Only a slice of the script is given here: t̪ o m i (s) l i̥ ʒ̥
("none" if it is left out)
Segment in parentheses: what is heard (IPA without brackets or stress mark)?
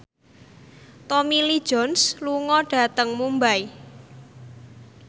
none